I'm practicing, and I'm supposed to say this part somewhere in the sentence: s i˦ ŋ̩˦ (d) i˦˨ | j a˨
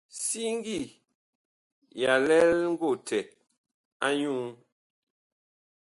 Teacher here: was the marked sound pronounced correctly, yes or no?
no